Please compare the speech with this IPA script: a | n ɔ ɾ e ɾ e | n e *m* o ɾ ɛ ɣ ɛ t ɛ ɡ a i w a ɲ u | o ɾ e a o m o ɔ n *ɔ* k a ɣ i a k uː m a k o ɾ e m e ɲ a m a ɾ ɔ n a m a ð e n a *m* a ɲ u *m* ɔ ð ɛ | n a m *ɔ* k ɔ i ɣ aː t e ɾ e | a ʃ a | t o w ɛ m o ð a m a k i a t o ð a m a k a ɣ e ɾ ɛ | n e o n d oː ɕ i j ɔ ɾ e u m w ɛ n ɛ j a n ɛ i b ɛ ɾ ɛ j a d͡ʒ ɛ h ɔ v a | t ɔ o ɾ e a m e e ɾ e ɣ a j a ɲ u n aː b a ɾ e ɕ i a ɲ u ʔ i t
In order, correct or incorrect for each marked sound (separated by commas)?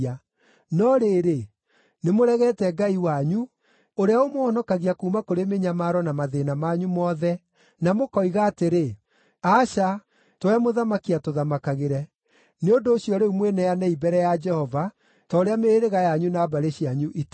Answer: correct, correct, correct, correct, incorrect